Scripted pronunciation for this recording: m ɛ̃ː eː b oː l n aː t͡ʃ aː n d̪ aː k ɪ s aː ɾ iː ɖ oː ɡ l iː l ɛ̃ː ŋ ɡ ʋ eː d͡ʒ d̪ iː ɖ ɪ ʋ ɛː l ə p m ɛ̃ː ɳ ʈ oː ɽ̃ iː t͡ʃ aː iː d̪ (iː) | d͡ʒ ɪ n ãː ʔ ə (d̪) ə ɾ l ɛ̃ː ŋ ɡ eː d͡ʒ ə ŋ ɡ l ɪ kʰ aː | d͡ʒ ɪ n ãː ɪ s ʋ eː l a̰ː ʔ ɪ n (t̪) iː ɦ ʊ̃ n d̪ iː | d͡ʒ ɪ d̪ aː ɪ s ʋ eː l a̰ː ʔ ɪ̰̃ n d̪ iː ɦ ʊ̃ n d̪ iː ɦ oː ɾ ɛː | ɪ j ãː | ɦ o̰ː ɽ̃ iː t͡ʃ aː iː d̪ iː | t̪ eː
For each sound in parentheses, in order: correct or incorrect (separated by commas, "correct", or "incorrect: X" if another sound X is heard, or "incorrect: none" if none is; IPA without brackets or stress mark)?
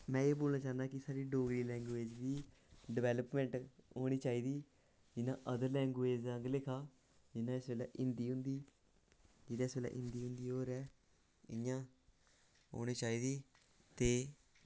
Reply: correct, correct, incorrect: d̪